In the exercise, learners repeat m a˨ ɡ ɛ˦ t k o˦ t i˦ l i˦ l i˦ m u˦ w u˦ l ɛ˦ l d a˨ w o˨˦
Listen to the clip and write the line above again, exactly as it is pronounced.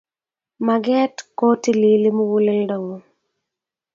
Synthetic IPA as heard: m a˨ ɡ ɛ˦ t k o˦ t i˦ l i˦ l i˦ m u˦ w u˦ l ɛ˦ l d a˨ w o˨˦